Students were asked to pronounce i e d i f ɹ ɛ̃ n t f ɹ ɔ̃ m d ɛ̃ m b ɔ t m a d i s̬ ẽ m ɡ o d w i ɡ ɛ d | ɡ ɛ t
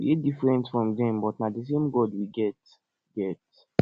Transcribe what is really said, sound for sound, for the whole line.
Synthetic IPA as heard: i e d i f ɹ ɛ̃ n t f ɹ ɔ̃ m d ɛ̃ m b ɔ t n a d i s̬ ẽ m ɡ ɔ d w i ɡ ɛ t | ɡ ɛ t